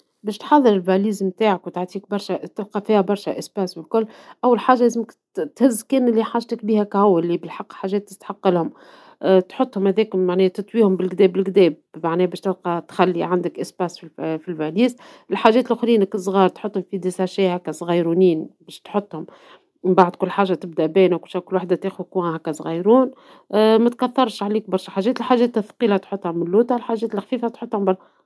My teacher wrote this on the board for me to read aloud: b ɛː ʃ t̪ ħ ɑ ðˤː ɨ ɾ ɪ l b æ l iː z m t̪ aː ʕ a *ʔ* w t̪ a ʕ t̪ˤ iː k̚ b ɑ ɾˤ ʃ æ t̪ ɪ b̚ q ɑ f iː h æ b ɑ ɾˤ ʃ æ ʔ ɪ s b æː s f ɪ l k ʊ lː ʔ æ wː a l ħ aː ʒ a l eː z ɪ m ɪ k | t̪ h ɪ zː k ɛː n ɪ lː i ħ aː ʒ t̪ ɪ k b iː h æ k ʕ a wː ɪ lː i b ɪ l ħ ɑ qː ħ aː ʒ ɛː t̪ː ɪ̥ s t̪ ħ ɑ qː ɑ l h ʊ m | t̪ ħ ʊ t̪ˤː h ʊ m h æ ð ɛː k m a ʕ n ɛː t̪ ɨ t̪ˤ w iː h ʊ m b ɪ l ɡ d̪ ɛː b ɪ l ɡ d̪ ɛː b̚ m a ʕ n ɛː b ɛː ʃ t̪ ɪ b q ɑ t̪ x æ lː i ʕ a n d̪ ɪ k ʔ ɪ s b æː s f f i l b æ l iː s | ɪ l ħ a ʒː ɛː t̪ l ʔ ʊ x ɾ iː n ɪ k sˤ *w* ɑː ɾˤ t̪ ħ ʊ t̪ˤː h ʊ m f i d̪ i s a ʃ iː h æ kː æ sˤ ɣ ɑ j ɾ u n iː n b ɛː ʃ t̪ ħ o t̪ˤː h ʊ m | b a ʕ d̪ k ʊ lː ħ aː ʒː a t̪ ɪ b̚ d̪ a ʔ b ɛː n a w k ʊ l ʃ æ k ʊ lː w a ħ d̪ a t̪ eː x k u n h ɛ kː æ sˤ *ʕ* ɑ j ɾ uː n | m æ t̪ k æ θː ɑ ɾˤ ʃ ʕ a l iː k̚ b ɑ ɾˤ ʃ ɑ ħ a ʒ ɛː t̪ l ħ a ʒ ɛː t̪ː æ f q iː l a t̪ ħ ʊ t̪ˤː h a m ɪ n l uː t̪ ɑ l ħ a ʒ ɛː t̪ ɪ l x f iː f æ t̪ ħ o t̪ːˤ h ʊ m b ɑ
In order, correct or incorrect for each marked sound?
incorrect, incorrect, incorrect

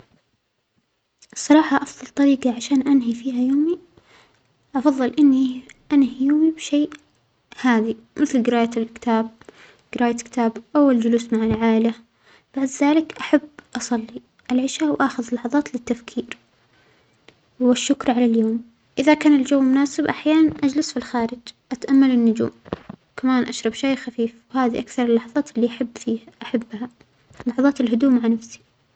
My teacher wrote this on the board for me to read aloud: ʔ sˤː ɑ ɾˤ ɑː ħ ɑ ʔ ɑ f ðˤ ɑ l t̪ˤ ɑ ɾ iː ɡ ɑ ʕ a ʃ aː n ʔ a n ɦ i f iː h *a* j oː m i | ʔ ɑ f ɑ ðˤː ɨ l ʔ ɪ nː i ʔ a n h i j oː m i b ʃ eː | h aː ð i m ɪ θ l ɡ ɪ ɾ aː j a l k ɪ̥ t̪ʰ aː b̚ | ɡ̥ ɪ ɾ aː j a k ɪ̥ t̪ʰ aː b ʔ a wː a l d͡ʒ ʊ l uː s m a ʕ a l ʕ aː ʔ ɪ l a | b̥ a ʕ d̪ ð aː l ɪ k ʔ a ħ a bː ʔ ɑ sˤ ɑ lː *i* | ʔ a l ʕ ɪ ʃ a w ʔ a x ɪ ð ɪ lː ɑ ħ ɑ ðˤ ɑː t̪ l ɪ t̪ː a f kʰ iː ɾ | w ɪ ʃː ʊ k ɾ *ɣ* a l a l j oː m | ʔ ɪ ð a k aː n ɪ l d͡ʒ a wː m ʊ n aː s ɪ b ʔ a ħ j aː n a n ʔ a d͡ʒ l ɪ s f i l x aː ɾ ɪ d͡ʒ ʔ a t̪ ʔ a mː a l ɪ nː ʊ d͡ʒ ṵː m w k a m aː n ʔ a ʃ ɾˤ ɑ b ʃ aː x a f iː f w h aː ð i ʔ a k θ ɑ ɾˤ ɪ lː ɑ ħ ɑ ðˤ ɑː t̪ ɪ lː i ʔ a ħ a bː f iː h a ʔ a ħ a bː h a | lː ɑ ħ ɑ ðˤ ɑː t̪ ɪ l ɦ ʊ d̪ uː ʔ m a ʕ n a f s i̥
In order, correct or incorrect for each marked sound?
correct, correct, incorrect

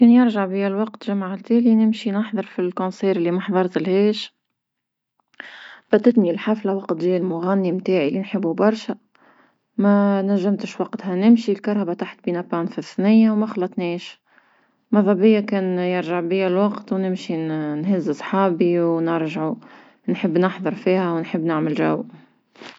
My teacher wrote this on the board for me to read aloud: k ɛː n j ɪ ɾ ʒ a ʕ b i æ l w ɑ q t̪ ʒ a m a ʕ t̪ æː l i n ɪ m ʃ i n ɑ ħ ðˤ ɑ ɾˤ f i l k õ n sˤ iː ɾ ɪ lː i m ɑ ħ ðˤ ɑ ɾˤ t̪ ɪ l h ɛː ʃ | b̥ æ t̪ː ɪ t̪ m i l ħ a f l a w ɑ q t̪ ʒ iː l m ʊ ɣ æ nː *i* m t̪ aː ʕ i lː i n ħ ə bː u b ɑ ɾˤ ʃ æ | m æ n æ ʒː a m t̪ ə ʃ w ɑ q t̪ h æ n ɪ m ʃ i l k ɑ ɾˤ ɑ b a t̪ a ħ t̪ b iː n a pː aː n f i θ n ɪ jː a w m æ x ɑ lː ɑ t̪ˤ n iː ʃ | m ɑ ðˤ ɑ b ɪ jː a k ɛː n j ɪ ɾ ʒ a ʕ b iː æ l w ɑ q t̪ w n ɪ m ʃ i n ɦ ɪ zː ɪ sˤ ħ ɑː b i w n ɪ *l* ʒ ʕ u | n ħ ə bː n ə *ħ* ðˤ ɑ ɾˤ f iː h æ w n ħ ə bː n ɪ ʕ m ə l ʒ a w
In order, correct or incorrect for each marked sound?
correct, incorrect, correct

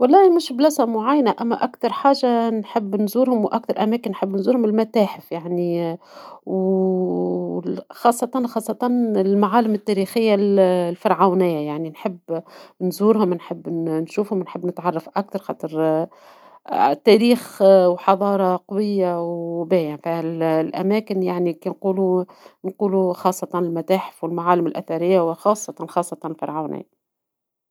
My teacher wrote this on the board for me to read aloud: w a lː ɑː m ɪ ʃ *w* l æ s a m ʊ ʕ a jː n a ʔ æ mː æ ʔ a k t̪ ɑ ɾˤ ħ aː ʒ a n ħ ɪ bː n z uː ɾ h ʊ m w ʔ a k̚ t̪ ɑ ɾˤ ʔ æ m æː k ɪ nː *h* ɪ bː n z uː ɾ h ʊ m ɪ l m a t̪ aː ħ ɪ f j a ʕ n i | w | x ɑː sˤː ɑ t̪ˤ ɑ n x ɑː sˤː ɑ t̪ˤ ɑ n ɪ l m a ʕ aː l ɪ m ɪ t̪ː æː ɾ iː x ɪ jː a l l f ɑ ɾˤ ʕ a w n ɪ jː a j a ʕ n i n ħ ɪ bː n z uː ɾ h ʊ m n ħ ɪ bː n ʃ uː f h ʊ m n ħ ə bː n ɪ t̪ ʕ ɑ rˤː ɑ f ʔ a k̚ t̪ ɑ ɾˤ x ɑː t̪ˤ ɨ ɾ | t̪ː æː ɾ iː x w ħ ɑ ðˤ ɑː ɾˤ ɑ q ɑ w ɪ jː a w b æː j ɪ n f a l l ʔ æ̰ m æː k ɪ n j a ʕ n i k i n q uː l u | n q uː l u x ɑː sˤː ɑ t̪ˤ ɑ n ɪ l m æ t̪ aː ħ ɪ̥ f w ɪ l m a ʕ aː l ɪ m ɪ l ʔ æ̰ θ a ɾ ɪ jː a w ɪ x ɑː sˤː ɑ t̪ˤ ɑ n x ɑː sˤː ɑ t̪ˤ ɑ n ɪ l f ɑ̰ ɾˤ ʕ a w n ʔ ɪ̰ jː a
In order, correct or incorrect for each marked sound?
incorrect, incorrect

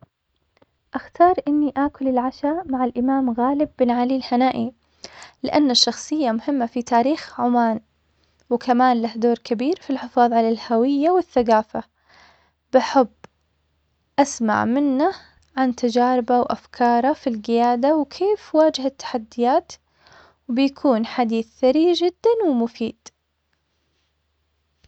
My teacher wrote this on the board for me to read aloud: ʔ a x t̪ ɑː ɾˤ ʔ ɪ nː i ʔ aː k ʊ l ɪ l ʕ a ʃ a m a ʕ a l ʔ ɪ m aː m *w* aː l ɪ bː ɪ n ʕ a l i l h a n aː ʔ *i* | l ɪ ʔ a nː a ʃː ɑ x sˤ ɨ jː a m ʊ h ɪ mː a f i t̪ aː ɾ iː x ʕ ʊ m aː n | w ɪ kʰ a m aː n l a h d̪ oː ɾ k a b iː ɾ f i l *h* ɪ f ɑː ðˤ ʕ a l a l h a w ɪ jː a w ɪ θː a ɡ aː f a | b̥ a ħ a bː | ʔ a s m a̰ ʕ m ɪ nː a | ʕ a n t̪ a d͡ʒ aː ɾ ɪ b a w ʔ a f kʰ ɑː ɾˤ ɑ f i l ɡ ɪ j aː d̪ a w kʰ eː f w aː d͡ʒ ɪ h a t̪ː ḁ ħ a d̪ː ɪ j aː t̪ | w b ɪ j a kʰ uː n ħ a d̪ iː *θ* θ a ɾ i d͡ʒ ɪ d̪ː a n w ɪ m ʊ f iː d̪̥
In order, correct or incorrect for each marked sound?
incorrect, correct, incorrect, correct

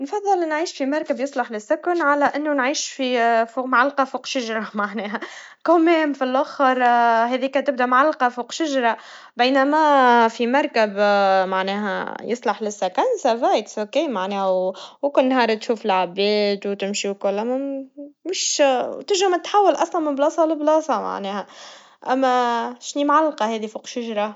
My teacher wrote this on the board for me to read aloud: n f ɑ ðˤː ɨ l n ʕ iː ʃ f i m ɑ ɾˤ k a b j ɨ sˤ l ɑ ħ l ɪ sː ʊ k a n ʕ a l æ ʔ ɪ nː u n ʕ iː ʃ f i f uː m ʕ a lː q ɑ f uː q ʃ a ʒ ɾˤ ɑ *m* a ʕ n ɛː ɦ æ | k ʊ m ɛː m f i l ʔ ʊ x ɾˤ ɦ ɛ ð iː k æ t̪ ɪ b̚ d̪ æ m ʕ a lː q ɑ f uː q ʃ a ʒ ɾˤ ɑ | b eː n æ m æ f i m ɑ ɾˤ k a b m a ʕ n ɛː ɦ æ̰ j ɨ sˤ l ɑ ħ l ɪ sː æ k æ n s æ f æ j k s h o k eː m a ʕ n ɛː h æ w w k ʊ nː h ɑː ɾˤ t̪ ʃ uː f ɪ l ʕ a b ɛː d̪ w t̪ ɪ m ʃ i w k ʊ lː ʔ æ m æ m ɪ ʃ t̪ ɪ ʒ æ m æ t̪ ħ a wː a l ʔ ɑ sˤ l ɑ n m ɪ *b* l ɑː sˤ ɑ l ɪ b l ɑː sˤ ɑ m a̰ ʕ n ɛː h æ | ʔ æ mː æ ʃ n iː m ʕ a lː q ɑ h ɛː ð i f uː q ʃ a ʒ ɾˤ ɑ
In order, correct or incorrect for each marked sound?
correct, correct

